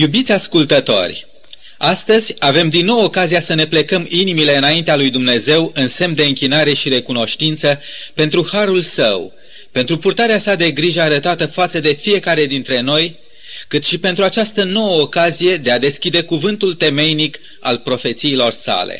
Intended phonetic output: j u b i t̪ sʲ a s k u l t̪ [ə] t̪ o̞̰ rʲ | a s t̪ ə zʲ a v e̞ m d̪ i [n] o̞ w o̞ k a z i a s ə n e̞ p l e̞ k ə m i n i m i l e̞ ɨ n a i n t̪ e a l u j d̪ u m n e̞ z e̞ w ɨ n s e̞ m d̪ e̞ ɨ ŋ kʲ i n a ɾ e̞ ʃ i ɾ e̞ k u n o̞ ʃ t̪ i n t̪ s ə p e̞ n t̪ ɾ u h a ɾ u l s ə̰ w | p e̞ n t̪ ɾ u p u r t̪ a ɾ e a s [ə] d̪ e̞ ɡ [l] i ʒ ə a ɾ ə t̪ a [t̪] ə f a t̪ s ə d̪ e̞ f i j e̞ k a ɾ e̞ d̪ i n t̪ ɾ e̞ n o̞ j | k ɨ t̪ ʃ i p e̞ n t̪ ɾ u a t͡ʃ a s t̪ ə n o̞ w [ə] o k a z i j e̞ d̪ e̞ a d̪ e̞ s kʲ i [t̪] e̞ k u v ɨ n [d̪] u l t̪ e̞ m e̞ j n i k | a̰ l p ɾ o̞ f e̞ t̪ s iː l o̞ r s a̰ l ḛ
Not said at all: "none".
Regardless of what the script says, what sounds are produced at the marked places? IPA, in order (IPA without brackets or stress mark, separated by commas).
ə, nː, a, ɾ, t̪, ə, d̪, t̪